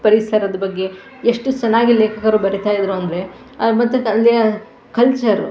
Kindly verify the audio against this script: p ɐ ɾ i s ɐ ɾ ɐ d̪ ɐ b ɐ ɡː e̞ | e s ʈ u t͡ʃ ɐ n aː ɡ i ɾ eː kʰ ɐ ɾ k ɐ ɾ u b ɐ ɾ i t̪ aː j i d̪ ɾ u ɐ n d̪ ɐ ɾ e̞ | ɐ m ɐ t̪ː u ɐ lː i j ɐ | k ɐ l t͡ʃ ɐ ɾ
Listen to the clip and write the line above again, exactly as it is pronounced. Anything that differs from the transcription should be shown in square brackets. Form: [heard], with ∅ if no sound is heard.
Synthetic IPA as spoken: p ɐ ɾ i s ɐ ɾ ɐ d̪ ɐ b ɐ ɡː e̞ | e [ʂ] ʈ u t͡ʃ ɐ n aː ɡ i [l] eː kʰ ɐ [∅] k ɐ ɾ u b ɐ ɾ i t̪ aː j i d̪ ɾ u ɐ n d̪ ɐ ɾ e̞ | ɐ m ɐ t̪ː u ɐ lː i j ɐ | k ɐ l t͡ʃ ɐ ɾ